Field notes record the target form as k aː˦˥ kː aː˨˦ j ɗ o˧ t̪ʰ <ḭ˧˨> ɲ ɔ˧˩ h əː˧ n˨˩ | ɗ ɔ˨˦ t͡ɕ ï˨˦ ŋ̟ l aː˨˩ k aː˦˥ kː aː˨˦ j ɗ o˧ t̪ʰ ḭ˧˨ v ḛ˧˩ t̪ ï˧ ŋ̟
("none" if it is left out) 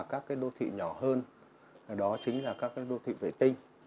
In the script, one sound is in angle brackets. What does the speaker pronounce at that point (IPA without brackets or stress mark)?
ḭ˧˨